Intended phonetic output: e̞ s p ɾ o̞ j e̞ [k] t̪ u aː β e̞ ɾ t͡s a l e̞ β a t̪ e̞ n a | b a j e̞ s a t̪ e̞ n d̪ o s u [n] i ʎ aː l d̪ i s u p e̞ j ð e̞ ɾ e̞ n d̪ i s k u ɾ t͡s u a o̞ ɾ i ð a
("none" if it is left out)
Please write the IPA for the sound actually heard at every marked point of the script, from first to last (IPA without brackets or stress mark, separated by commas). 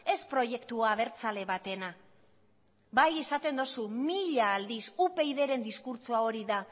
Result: k, m